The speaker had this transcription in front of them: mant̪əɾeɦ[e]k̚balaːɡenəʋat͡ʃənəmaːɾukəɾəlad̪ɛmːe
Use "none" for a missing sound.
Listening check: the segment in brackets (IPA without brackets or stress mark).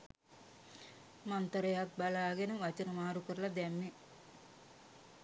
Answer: a